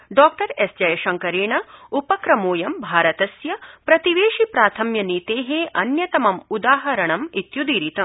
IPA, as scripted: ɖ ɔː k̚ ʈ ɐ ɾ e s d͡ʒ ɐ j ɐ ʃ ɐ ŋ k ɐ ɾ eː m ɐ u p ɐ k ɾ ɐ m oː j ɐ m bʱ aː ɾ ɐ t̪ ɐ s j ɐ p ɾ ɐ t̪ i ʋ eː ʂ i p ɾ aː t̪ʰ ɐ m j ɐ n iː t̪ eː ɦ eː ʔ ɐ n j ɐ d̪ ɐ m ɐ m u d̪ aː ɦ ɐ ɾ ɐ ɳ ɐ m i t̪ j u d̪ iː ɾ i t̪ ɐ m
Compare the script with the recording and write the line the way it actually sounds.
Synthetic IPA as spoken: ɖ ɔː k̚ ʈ ɐ ɾ e s d͡ʒ ɐ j ɐ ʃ ɐ ŋ k ɐ ɾ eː ɳ ɐ u p ɐ k ɾ ɐ m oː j ɐ m bʱ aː ɾ ɐ t̪ ɐ s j ɐ p ɾ ɐ t̪ i ʋ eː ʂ i p ɾ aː t̪ʰ ɐ m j ɐ n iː t̪ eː ɦ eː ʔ ɐ n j ɐ t̪ ɐ m ɐ m u d̪ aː ɦ ɐ ɾ ɐ ɳ ɐ m i t̪ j u d̪ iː ɾ i t̪ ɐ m

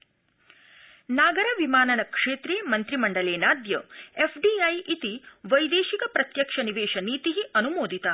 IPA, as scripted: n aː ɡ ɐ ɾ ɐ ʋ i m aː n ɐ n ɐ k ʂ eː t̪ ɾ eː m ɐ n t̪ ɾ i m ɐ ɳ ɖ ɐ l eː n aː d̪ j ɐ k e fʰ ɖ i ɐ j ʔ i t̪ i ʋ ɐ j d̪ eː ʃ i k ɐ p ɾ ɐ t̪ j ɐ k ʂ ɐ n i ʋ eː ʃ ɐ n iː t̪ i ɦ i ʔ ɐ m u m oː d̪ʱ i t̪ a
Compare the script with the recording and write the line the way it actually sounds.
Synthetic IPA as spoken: n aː ɡ ɐ ɾ ɐ ʋ i m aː n ɐ n ɐ k ʂ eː t̪ ɾ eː m ɐ n t̪ ɾ i m ɐ ɳ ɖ ɐ l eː n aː d̪ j ɐ e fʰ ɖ i ɐ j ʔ i t̪ i ʋ ɐ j d̪ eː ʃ i k ɐ p ɾ ɐ t̪ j ɐ k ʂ ɐ n i ʋ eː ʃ ɐ n iː t̪ i ɦ i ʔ ɐ n u m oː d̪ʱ i t̪ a

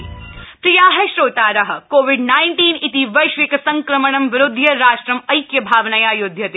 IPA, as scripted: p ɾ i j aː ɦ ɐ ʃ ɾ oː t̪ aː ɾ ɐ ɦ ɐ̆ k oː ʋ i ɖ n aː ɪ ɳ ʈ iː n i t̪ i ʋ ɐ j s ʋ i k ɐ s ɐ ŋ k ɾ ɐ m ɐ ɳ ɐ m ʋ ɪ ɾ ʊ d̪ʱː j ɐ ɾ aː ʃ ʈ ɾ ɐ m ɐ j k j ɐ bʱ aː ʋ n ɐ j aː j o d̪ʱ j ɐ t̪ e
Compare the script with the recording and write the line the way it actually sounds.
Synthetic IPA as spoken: p ɾ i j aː ɦ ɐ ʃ ɾ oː t̪ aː ɾ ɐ ɦ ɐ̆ k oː ʋ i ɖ n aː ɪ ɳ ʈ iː n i t̪ i ʋ ɐ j ʃ ʋ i k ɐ s ɐ ŋ k ɾ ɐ m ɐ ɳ ɐ m ʋ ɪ ɾ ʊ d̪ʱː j ɐ ɾ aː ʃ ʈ ɾ ɐ m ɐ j k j ɐ bʱ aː ʋ n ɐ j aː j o d̪ʱ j ɐ t̪ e

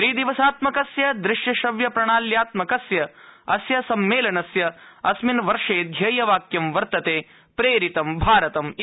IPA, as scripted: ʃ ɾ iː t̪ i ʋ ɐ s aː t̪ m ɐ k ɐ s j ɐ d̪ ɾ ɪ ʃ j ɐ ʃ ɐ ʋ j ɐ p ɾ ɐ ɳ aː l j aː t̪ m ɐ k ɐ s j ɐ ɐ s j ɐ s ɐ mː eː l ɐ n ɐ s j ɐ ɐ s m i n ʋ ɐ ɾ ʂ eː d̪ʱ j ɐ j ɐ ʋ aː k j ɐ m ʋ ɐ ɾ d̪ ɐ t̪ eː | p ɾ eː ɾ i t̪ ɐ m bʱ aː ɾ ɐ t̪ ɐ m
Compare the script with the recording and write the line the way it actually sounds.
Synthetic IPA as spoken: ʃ ɾ iː d̪ i ʋ ɐ s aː t̪ m ɐ k ɐ s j ɐ d̪ ɾ ɪ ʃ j ɐ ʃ ɐ ʋ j ɐ p ɾ ɐ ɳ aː l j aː t̪ m ɐ k ɐ s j ɐ ɐ s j ɐ s ɐ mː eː l ɐ n ɐ s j ɐ ɐ s m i n ʋ ɐ ɾ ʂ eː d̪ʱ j ɐ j ɐ ʋ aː k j ɐ m ʋ ɐ ɾ t̪ ɐ t̪ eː | p ɾ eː ɾ i t̪ ɐ m bʱ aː ɾ ɐ t̪ ɐ m

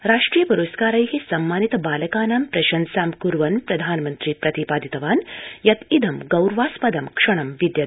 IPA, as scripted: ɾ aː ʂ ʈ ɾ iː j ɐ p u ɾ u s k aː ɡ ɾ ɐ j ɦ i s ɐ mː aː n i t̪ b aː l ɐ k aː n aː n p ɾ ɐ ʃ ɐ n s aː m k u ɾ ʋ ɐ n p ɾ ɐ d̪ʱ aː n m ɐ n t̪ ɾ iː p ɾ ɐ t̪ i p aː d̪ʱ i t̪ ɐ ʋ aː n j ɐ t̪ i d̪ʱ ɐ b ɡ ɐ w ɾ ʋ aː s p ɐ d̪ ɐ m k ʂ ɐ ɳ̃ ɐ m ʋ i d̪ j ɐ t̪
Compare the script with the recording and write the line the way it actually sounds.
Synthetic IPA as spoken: ɾ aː ʂ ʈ ɾ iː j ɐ p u ɾ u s k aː ɾ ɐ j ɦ i s ɐ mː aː n i t̪ b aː l ɐ k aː n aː m p ɾ ɐ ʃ ɐ n s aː m k u ɾ ʋ ɐ n p ɾ ɐ d̪ʱ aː n m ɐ n t̪ ɾ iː p ɾ ɐ t̪ i p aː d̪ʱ i t̪ ɐ ʋ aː n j ɐ t̪ i d̪ʱ ɐ m ɡ ɐ w ɾ ʋ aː s p ɐ d̪ ɐ m k ʂ ɐ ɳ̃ ɐ m ʋ i d̪ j ɐ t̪

